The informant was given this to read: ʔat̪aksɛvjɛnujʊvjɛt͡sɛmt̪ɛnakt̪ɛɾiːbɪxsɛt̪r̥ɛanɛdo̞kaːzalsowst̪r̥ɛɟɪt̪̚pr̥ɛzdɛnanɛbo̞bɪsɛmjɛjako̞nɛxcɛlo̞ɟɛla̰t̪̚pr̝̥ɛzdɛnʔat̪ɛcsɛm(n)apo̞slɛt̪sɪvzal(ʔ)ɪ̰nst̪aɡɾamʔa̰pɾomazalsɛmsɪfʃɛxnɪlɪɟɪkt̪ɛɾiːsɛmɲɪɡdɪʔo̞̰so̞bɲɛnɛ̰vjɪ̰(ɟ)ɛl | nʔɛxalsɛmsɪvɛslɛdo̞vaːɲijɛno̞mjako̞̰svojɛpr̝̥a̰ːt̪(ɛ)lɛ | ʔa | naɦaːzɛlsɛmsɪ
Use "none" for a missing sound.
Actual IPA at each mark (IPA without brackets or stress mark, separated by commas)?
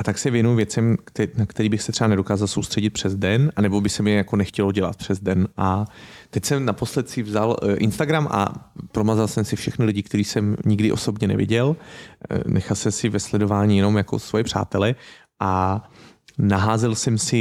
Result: n, ʔ, ɟ, ɛ